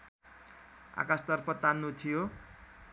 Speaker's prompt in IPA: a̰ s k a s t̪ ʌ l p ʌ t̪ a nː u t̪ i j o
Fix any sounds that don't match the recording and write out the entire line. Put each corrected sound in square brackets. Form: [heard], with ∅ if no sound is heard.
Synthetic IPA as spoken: a̰ [∅] k a s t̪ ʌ [r] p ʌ t̪ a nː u [t̪ʰ] i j o